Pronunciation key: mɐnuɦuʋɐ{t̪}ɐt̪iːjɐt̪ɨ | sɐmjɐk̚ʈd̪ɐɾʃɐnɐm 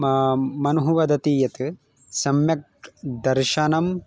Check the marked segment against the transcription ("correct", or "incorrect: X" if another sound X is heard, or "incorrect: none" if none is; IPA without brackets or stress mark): incorrect: d̪